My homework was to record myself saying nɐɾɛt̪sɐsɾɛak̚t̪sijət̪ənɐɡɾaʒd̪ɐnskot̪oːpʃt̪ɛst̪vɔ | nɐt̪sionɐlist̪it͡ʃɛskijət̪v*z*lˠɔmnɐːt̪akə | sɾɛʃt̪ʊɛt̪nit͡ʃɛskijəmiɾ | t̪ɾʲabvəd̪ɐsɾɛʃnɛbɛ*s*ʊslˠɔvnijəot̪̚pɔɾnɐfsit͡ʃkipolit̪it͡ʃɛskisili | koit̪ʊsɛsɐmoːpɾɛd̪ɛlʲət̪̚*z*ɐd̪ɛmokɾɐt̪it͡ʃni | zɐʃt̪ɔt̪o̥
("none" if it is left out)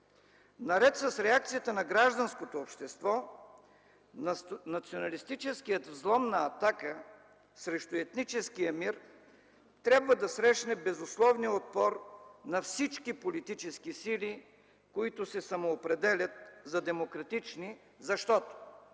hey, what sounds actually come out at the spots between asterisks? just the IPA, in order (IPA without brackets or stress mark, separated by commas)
z, z, z